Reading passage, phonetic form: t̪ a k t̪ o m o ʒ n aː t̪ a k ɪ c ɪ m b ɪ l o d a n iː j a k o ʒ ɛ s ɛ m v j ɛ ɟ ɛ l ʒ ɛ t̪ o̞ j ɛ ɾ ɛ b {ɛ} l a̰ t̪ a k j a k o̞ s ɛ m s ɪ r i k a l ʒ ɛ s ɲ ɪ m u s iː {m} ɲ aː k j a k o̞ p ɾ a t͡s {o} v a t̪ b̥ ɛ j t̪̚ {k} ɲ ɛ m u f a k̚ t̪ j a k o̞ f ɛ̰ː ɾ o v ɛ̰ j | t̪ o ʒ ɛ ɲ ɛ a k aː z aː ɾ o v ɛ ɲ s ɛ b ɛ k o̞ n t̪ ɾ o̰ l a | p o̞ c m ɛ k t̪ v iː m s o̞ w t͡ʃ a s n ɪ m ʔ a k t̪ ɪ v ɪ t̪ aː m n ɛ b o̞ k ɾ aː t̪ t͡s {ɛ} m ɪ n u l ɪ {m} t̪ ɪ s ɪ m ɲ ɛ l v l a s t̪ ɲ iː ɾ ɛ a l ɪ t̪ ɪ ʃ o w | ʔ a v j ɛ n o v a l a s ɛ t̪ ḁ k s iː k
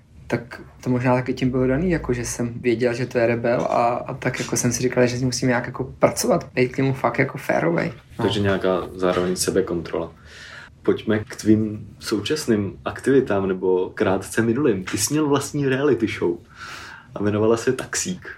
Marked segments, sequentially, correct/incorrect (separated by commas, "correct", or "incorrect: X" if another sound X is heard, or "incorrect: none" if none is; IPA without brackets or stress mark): correct, correct, correct, correct, correct, correct